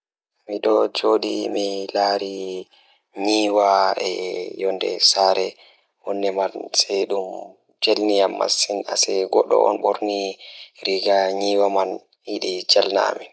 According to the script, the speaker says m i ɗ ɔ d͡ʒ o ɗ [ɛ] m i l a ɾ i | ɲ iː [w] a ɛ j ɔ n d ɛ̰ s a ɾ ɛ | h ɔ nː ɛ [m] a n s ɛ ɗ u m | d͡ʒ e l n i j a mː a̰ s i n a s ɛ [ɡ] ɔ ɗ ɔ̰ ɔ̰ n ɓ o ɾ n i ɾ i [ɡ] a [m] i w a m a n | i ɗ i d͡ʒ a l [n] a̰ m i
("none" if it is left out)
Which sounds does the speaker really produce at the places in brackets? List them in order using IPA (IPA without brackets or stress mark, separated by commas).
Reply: i, w, m, ɡ, ɡ, ɲ, n